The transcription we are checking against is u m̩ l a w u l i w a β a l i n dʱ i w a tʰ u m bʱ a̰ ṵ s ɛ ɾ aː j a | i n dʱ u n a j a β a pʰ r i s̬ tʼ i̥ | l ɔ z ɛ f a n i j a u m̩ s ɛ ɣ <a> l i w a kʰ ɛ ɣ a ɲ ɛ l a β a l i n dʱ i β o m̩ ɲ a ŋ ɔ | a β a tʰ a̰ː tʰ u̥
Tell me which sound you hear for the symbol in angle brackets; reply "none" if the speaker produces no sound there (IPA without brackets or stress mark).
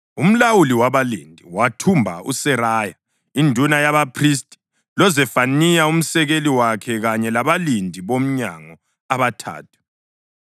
e